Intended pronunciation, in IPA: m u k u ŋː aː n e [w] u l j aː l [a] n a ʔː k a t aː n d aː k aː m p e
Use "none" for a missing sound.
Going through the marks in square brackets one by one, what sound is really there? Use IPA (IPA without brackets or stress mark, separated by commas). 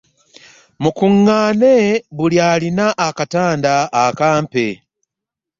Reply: β, i